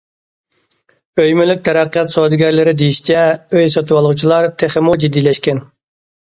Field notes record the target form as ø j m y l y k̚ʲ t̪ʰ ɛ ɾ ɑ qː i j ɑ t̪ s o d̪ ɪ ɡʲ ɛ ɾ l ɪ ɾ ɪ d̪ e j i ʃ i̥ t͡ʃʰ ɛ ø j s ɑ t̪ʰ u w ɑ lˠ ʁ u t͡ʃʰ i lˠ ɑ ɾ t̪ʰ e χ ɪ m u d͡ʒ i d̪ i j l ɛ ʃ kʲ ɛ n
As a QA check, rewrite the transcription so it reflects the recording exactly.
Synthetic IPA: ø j m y l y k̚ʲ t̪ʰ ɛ ɾ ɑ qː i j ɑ t̪ s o d̪ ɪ ɡʲ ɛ ɾ l ɪ ɾ ɪ d̪ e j i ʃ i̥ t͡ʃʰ ɛ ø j s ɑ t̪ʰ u w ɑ lˠ ʁ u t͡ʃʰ i lˠ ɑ ɾ t̪ʰ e χ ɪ m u d͡ʒ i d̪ i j l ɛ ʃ kʲ ɛ n